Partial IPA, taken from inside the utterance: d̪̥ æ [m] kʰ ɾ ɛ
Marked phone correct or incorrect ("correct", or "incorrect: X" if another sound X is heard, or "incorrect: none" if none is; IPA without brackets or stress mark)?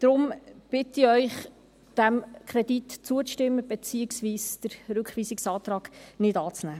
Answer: correct